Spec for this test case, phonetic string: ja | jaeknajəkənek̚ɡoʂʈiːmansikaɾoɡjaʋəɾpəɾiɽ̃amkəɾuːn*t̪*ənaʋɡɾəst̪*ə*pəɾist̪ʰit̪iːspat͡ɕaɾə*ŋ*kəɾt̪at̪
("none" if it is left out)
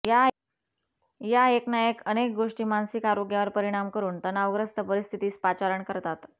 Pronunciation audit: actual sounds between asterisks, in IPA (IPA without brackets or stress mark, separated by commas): t̪, ə, ɳ